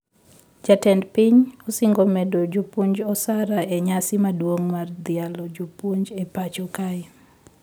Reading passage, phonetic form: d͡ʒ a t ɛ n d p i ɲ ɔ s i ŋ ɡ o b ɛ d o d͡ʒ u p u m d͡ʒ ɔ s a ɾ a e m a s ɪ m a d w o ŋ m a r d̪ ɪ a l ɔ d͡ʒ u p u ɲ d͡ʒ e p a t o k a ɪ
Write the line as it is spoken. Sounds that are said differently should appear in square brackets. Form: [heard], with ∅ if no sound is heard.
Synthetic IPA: d͡ʒ a t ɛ n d p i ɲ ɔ s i ŋ ɡ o [m] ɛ d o d͡ʒ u p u [ɲ] d͡ʒ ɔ s a ɾ a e [ɲ] a s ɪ m a d w o ŋ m a r d̪ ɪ a l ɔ d͡ʒ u p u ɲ d͡ʒ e p a [t͡ʃ] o k a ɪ